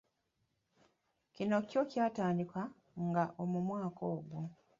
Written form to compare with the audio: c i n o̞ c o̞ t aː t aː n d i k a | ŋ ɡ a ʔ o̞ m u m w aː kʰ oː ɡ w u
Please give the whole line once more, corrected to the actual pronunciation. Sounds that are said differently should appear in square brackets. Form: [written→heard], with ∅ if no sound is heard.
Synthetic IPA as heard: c i n o̞ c o̞ [t→c] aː t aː n d i k a | ŋ ɡ a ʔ o̞ m u m w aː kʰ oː ɡ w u